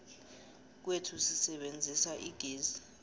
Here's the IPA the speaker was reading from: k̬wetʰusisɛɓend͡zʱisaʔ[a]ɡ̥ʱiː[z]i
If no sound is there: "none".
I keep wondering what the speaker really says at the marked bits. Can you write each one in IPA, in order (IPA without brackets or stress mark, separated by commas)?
i, z